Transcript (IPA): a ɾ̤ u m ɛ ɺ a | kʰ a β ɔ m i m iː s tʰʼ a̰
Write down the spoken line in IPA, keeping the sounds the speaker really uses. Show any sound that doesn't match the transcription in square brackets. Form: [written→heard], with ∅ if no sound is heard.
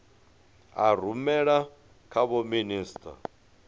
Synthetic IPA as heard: a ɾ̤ u m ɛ ɺ a | kʰ a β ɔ m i [m→n] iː s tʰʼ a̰